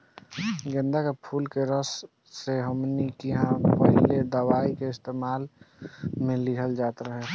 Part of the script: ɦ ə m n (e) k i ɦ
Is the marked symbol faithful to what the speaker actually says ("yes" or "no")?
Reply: no